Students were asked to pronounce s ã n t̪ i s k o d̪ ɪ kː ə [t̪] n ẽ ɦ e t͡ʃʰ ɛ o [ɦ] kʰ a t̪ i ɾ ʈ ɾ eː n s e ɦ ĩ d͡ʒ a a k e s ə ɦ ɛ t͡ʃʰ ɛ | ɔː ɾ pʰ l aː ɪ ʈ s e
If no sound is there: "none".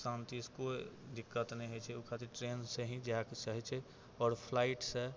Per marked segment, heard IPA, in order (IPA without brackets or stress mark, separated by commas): t̪, none